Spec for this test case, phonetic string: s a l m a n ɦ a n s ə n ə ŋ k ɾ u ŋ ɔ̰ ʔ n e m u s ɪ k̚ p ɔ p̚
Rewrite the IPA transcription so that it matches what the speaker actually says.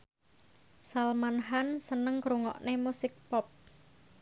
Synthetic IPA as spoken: s a l m a n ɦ a n s ə n ə ŋ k ɾ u ŋ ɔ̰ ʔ n e m u s ɪ k̚ p ɔ p̚